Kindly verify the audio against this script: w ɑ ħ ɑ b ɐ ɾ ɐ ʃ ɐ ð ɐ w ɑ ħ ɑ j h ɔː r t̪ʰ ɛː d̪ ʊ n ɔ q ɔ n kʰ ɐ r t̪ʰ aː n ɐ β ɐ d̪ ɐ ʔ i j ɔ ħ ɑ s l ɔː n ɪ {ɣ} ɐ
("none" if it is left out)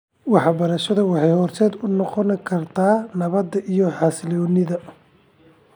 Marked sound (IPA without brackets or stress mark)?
ð